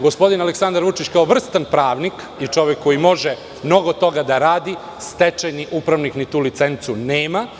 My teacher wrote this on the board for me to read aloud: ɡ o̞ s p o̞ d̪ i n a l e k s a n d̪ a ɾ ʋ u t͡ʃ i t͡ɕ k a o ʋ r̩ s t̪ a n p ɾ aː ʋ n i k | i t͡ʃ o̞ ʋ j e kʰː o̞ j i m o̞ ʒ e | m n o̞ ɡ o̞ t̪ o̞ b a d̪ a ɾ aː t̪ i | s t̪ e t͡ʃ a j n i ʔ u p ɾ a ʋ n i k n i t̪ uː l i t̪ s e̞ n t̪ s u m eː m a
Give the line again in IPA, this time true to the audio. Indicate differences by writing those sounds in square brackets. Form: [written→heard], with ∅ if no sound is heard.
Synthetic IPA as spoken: ɡ o̞ s p o̞ d̪ i n a l e k s a n d̪ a ɾ ʋ u t͡ʃ i t͡ɕ k a o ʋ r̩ s t̪ a n p ɾ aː ʋ n i k | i t͡ʃ o̞ ʋ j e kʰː o̞ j i m o̞ ʒ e | m n o̞ ɡ o̞ t̪ o̞ [b→ɡ] a d̪ a ɾ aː [t̪→d̪] i | s t̪ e t͡ʃ a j n i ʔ u p ɾ a ʋ n i k n i t̪ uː l i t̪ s e̞ n t̪ s u [m→n] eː m a

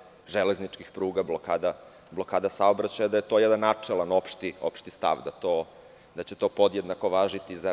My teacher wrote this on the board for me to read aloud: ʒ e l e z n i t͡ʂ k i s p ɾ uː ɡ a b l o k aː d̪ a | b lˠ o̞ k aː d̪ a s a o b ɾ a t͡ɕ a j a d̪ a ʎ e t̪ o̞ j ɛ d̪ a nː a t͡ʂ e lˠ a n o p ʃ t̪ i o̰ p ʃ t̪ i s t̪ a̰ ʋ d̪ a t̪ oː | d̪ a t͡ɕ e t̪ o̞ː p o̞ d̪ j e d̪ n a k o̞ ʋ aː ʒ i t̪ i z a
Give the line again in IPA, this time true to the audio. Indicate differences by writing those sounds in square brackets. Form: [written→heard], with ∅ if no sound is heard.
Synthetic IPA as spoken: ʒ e l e z n i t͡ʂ k i [s→x] p ɾ uː ɡ a b l o k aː d̪ a | b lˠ o̞ k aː d̪ a s a o b ɾ a t͡ɕ a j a d̪ a [ʎ→j] e t̪ o̞ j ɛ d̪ a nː a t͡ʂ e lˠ a n o p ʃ t̪ i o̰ p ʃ t̪ i s t̪ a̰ ʋ d̪ a t̪ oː | d̪ a t͡ɕ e t̪ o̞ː p o̞ d̪ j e d̪ n a k o̞ ʋ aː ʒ i t̪ i z a

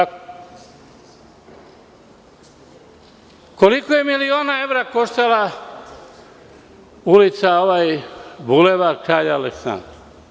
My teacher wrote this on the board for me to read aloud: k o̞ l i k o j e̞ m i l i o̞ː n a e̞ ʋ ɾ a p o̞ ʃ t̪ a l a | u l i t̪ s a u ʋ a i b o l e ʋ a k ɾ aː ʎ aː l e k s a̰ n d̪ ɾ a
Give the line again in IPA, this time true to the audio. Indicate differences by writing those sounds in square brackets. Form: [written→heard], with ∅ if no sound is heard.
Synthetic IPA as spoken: k o̞ l i k o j e̞ m i l i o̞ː n a e̞ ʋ ɾ a [p→k] o̞ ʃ t̪ a l a | u l i t̪ s a [u→o] ʋ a [i→j] b [o→u] l e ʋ a k ɾ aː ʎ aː l e k s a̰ n d̪ ɾ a

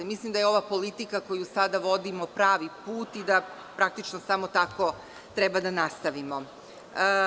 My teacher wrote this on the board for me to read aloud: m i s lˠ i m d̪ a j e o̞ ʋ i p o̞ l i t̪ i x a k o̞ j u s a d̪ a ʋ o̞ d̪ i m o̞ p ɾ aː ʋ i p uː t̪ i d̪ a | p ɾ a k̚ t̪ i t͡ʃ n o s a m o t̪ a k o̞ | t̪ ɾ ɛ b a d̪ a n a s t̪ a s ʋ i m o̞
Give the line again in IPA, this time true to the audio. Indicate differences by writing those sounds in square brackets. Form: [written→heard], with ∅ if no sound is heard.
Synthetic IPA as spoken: m i s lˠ i m d̪ a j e o̞ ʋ [i→a] p o̞ l i t̪ i [x→k] a k o̞ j u s a d̪ a ʋ o̞ d̪ i m o̞ p ɾ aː ʋ i p uː t̪ i d̪ a | p ɾ a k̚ t̪ i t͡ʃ n o s a m o t̪ a k o̞ | t̪ ɾ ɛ b a d̪ a n a s t̪ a [s→∅] ʋ i m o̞

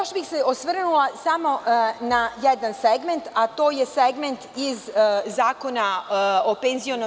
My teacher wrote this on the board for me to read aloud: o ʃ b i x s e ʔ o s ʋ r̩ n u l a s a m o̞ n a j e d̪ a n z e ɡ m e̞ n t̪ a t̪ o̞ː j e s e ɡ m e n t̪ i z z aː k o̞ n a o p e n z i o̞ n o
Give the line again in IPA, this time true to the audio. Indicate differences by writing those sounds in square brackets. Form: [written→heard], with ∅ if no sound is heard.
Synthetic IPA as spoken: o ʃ b i x s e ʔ o s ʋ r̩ n u l a s a m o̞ n a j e d̪ a n [z→s] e ɡ m e̞ n t̪ a t̪ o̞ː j e s e ɡ m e n t̪ i z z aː k o̞ n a o p e n z i o̞ n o

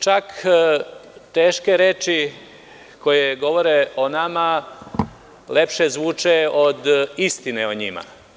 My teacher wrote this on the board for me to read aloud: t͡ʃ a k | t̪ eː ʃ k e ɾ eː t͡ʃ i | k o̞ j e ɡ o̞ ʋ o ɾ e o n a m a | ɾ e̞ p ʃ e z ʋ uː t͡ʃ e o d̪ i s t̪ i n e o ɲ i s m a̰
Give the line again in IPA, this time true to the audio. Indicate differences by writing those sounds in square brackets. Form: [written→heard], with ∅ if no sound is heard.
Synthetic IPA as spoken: t͡ʃ a k | t̪ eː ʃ k e ɾ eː t͡ʃ i | k o̞ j e ɡ o̞ ʋ o ɾ e o n a m a | [ɾ→l] e̞ p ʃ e z ʋ uː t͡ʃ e o d̪ i s t̪ i n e o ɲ i [s→∅] m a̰

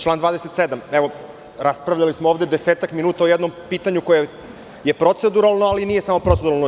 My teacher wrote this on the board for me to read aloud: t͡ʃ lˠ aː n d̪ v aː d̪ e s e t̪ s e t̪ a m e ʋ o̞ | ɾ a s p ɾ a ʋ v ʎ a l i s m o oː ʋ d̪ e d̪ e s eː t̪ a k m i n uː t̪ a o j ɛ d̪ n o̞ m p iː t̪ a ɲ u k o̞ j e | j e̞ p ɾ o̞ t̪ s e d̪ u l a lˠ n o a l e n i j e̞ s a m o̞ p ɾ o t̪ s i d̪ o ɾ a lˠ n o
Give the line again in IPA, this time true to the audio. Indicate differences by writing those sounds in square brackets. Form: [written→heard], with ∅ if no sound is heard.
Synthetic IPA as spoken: t͡ʃ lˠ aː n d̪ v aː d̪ e s e t̪ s e [t̪→d̪] a m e ʋ o̞ | ɾ a s p ɾ a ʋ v ʎ a l i s m o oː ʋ d̪ e d̪ e s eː t̪ a k m i n uː t̪ a o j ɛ d̪ n o̞ m p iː t̪ a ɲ u k o̞ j e | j e̞ p ɾ o̞ t̪ s e d̪ u [l→ɾ] a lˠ n o a l [e→i] n i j e̞ s a m o̞ p ɾ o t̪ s [i→e] d̪ [o→u] ɾ a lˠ n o

